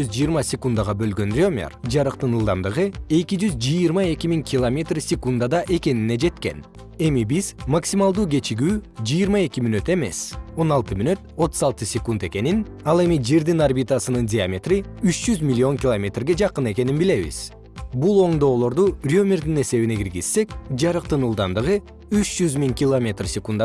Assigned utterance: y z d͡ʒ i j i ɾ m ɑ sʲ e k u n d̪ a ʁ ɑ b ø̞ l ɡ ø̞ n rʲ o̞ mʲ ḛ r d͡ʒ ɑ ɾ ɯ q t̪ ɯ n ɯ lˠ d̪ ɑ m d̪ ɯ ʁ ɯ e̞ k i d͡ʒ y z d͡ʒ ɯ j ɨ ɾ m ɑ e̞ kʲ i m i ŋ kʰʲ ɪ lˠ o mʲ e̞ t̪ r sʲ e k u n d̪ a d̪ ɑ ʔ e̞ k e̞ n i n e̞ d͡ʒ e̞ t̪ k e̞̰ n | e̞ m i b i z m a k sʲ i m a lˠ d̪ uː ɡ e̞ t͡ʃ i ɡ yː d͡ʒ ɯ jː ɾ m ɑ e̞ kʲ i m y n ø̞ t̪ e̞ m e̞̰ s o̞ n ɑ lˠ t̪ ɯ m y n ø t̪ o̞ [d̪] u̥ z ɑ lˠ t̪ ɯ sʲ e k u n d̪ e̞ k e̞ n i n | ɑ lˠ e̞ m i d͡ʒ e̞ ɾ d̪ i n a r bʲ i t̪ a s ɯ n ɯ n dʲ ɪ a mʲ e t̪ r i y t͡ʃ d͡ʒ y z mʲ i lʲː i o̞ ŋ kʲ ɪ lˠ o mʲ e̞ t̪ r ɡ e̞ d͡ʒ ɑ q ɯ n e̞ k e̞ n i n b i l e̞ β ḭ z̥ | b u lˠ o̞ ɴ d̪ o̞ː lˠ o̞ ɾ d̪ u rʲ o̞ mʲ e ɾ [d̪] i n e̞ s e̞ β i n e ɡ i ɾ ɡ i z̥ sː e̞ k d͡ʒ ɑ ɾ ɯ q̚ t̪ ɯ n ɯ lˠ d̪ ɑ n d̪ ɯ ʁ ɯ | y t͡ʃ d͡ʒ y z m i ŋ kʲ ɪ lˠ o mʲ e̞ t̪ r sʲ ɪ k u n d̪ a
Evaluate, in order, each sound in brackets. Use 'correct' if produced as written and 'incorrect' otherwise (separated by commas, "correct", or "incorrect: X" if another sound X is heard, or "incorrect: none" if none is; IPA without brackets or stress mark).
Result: incorrect: t̪, correct